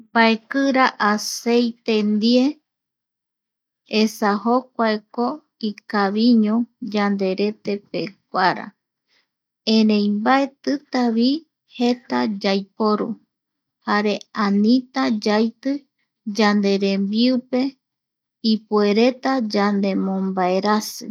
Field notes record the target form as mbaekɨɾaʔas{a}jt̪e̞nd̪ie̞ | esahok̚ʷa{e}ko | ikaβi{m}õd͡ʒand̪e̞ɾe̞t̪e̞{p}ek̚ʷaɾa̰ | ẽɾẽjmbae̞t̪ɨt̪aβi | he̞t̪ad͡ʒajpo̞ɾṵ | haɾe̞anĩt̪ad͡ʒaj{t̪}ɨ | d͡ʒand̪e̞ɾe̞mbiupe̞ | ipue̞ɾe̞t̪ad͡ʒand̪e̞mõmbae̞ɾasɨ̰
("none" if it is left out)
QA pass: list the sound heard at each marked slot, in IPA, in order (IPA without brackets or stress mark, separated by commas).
e, e, ɲ, p, t̪